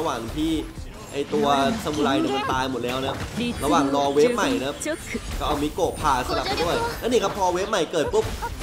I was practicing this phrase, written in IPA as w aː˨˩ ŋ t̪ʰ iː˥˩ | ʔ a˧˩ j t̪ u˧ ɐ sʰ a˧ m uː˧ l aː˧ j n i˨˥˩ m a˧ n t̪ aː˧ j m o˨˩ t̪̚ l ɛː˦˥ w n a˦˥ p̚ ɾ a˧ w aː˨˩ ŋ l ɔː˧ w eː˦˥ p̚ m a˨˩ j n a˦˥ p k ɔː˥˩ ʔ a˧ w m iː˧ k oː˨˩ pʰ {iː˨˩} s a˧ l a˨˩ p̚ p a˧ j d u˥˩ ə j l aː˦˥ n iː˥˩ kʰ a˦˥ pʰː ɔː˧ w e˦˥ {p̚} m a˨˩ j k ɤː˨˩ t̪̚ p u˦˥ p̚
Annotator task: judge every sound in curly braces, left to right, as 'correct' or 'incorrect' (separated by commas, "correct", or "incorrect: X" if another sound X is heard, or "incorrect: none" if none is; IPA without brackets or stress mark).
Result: incorrect: aː˨˩, correct